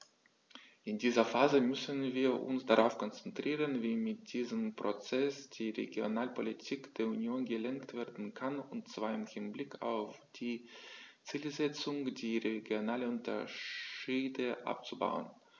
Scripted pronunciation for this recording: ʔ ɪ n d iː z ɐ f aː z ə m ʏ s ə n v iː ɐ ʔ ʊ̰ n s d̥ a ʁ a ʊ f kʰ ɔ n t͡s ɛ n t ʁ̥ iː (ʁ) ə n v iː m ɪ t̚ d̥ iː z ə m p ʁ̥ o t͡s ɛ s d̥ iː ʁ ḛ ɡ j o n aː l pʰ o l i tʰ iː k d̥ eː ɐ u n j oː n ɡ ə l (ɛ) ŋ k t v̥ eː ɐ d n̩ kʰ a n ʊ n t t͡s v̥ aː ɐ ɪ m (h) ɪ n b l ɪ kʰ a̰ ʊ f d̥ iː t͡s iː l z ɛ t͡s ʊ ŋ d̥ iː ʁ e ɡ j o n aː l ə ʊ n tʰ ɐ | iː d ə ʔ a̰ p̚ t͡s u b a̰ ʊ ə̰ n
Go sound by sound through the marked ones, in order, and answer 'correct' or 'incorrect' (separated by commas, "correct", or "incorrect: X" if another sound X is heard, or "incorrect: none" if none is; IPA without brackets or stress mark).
correct, correct, correct